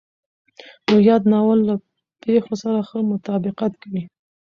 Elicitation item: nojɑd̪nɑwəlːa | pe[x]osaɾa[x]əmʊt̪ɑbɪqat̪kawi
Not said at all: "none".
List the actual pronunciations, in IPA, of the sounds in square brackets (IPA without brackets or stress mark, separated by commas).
x, x